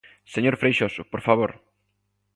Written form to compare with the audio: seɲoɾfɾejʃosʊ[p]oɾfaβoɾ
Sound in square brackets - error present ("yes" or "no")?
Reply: no